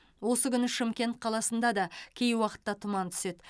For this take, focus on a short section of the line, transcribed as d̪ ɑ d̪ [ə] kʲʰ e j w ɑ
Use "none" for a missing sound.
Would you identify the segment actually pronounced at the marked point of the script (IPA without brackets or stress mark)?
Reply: ɑ